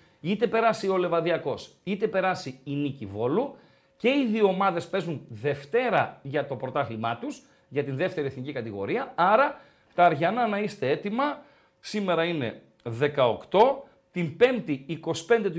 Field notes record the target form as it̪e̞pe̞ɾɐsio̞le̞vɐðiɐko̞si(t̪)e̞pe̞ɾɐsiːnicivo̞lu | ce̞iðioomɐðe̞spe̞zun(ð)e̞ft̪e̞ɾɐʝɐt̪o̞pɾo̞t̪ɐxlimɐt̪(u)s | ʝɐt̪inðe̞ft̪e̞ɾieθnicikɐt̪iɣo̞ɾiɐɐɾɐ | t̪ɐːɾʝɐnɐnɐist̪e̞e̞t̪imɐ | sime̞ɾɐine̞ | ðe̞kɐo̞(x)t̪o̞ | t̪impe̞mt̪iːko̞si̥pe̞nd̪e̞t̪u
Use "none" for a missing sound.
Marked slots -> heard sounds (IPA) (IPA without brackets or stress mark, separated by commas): t̪, ð, u, k